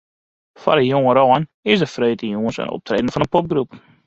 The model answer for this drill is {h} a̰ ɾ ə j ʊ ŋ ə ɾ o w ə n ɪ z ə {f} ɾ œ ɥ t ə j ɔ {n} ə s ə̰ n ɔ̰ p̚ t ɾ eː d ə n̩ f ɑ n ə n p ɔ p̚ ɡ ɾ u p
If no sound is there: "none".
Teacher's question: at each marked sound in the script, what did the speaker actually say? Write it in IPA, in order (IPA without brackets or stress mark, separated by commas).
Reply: f, f, ŋ